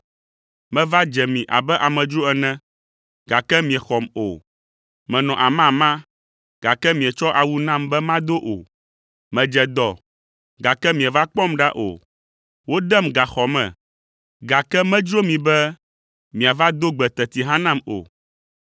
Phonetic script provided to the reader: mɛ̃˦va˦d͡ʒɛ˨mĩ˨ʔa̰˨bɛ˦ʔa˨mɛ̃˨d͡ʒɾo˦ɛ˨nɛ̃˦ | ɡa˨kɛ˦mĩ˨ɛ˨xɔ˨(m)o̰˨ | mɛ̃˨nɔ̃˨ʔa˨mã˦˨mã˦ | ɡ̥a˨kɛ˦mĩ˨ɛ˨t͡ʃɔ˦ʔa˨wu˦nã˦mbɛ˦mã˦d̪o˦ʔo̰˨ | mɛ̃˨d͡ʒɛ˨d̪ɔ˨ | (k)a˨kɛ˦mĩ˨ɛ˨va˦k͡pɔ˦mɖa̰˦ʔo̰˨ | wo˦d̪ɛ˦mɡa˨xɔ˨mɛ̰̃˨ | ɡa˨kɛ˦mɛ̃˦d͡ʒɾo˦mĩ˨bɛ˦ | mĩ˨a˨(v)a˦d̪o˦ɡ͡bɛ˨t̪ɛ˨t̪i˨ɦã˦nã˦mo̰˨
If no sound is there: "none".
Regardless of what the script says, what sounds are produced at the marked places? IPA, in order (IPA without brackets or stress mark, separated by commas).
m, ɡ, v